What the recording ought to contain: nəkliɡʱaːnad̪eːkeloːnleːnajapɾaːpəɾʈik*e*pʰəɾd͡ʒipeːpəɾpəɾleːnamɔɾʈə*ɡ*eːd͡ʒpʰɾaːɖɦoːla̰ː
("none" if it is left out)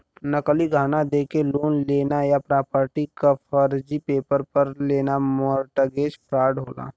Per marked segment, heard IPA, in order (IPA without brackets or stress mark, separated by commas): a, ɡ